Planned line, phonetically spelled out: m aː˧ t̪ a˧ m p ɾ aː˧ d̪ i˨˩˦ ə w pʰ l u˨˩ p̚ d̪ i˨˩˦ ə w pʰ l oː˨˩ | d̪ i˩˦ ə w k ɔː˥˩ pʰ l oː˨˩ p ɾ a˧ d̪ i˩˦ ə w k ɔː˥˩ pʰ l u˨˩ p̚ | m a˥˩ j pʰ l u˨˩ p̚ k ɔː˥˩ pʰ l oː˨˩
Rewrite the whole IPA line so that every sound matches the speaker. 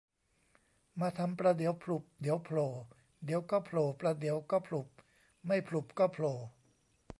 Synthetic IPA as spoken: m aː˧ t̪ʰ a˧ m p ɾ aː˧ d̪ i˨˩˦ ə w pʰ l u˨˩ p̚ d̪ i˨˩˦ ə w pʰ l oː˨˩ | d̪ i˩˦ ə w k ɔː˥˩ pʰ l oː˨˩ p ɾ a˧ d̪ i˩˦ ə w k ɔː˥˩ pʰ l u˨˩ p̚ | m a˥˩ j pʰ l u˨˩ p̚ k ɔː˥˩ pʰ l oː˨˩